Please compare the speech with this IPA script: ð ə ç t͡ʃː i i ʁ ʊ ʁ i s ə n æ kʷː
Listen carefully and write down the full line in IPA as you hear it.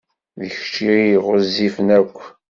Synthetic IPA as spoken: ð ə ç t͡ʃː i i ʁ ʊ z i f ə n æ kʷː